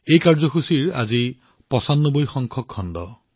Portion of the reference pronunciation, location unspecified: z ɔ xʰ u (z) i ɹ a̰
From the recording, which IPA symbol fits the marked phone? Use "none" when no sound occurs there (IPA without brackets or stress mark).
s